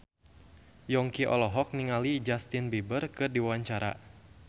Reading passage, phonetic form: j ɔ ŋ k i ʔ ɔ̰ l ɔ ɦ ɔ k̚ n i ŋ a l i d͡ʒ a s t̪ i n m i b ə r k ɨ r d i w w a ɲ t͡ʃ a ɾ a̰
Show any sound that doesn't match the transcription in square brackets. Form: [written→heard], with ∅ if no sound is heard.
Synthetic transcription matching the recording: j ɔ ŋ k i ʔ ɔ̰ l ɔ ɦ ɔ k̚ n i ŋ a l i d͡ʒ a s t̪ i n [m→b] i b ə r k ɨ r d i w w a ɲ t͡ʃ a ɾ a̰